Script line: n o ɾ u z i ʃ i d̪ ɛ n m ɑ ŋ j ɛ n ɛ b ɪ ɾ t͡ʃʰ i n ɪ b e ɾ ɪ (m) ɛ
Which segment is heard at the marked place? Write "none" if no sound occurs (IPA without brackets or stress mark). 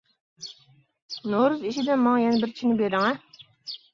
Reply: ŋ